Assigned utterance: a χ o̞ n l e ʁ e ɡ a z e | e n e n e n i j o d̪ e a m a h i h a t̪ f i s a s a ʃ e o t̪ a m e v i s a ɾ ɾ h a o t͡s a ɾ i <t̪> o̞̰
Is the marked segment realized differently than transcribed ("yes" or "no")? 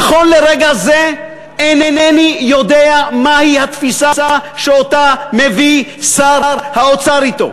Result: no